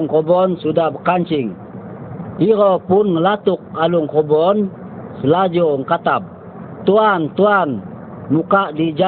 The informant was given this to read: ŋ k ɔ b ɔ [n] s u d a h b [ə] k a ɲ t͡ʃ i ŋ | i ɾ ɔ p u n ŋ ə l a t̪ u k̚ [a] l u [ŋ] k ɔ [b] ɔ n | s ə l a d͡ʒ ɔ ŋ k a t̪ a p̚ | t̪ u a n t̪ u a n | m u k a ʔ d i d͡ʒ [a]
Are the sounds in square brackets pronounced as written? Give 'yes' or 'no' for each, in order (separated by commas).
yes, yes, yes, yes, yes, yes